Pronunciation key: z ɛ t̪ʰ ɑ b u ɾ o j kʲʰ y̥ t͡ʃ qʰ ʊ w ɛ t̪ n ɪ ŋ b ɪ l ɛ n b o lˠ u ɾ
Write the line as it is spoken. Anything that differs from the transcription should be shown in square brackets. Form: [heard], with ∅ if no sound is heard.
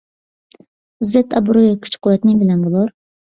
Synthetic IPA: z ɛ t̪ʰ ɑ b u ɾ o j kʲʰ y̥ t͡ʃ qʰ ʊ w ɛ t̪ n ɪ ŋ b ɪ l ɛ n b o lˠ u ɾ